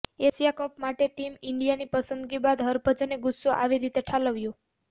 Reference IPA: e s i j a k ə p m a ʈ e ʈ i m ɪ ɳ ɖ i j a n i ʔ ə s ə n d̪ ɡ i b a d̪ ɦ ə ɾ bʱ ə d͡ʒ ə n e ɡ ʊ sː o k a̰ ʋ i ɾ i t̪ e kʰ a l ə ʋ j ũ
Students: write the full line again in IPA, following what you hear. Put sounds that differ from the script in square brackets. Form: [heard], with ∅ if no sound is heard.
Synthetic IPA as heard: e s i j a k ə p m a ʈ e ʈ i m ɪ ɳ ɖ i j a n i [p] ə s ə n d̪ ɡ i b a d̪ ɦ ə ɾ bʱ ə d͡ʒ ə n e ɡ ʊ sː o [ʔ] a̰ ʋ i ɾ i t̪ e [ʈʰ] a l ə ʋ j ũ